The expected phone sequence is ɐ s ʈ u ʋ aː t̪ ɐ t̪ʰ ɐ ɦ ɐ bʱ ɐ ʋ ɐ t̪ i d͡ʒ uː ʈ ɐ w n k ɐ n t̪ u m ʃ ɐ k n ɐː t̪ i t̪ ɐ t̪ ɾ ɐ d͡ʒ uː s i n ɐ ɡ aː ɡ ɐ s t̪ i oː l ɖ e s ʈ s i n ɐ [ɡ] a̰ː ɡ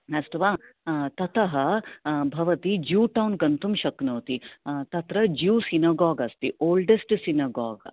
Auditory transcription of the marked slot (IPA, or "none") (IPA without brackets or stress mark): ɡ